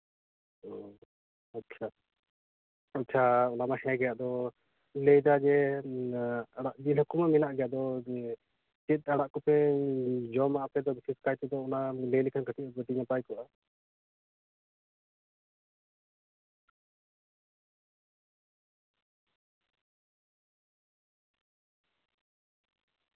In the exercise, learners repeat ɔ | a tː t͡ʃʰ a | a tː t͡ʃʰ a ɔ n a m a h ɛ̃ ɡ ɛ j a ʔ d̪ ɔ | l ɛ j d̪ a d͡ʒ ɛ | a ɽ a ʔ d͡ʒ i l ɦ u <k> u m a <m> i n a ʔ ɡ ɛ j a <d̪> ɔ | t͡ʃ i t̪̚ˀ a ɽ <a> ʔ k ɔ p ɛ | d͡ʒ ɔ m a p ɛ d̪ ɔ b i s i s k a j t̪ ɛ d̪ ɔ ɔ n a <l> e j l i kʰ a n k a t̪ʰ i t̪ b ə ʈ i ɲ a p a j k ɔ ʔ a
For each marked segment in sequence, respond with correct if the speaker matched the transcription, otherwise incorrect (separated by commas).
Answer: correct, correct, correct, correct, correct